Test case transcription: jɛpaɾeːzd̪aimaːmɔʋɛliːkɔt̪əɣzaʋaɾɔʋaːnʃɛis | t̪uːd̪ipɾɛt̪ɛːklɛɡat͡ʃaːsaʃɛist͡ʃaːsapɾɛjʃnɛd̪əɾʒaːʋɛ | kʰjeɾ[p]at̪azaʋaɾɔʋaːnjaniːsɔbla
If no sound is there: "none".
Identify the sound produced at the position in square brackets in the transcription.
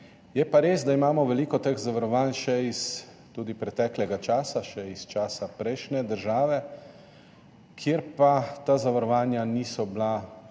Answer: p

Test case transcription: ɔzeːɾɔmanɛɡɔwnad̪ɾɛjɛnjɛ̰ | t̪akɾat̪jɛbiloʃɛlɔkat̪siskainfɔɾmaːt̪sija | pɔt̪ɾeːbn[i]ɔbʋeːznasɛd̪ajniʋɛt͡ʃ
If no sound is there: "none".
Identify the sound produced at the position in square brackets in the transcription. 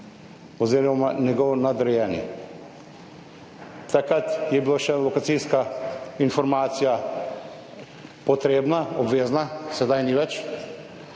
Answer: a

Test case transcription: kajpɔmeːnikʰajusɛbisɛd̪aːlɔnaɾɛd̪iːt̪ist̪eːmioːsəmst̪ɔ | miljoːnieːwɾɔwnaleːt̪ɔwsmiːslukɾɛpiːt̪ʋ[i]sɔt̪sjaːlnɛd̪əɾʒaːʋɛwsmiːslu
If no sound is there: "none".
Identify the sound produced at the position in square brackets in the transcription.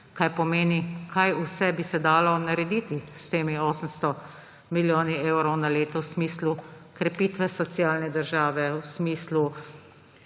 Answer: ɛ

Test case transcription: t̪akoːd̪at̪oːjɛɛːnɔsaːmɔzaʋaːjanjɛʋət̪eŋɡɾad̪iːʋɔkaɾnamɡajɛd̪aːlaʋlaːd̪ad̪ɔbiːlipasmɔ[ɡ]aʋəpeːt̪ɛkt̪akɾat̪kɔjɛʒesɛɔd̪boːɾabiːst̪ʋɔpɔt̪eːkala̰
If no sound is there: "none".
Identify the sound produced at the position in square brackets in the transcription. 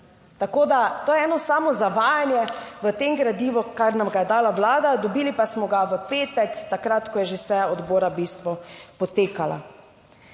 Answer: ɡ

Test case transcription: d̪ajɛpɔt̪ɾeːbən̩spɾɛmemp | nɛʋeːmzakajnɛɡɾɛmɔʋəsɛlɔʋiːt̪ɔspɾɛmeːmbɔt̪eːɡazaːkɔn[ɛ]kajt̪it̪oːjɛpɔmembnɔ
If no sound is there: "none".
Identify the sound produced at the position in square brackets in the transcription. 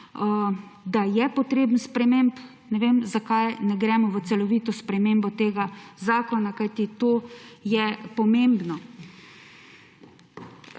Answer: a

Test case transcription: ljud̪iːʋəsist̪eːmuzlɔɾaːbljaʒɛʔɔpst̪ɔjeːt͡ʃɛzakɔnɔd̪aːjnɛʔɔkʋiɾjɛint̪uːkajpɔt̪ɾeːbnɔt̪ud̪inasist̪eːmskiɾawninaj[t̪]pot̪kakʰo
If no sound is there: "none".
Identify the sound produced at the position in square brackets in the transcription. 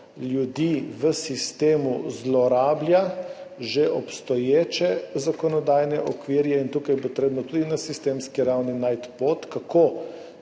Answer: t̪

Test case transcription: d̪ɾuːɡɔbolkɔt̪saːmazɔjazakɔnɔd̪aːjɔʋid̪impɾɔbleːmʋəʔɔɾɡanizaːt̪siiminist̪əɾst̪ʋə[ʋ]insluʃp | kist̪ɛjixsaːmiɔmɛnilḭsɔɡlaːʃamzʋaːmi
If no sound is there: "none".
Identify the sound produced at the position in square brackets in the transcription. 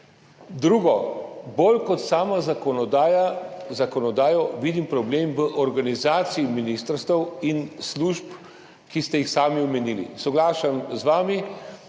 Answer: w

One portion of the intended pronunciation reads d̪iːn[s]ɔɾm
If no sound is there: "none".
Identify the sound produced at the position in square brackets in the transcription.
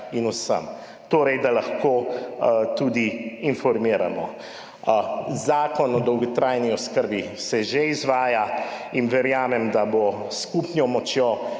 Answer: f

